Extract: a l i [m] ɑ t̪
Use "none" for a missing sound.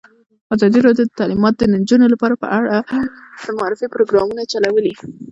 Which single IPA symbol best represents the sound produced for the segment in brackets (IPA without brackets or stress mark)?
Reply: m